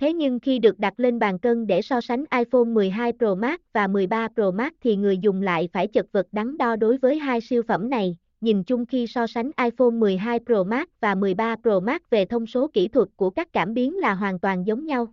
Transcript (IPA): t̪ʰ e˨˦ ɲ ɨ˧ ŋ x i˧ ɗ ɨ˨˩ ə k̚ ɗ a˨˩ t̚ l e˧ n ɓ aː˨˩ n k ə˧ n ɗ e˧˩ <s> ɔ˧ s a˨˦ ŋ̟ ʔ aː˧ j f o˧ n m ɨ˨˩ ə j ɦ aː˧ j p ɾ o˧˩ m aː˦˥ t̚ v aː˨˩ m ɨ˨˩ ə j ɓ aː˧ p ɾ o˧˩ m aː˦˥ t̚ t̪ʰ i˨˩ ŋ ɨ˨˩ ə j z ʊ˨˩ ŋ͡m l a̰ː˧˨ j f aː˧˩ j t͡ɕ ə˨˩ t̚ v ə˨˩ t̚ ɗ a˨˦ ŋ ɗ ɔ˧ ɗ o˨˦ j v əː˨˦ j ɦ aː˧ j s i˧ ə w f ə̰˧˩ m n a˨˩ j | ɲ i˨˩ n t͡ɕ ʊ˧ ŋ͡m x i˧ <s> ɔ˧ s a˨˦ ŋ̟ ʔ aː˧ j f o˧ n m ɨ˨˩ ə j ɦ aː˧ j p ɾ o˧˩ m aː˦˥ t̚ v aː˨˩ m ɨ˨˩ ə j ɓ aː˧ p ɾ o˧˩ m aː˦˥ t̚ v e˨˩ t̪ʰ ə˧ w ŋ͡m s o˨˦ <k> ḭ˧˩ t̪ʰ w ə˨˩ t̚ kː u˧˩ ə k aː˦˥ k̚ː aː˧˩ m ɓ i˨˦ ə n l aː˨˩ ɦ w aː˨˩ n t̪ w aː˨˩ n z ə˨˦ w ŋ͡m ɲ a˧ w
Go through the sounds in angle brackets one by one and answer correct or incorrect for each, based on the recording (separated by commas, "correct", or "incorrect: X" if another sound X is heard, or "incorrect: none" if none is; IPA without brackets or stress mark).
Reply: correct, correct, correct